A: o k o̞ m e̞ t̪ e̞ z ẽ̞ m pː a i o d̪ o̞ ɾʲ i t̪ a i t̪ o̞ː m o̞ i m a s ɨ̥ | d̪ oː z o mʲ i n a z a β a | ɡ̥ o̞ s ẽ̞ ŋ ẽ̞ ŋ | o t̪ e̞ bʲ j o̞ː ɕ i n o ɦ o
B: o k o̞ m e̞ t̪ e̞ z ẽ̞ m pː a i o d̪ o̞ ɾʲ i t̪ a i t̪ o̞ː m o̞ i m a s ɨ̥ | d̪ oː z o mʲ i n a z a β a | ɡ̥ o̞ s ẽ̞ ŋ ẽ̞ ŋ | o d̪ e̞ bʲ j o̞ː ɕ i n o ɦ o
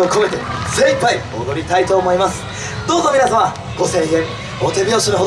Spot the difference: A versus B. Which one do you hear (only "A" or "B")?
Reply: A